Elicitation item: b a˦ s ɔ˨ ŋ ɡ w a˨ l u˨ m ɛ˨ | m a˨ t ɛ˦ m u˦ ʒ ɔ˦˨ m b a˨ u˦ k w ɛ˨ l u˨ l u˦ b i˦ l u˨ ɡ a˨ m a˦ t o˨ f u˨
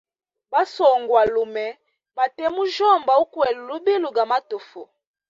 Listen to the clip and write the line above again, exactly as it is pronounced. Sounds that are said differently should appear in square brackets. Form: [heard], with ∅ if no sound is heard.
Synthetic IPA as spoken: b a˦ s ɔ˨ ŋ ɡ w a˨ l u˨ m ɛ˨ | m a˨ t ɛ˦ m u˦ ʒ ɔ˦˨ m b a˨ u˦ k w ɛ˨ l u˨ l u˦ b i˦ l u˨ ɡ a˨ m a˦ t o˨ f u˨